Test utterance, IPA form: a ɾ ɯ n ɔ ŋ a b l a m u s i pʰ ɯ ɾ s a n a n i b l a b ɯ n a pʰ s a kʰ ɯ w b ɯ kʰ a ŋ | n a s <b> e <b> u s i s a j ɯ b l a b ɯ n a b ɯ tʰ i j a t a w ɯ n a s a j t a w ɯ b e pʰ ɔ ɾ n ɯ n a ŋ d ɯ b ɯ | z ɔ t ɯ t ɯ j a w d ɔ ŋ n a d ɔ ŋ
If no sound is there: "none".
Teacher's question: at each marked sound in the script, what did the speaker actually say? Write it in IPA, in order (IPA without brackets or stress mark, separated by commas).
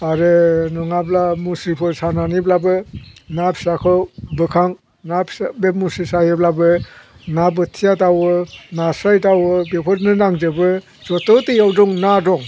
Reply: b, m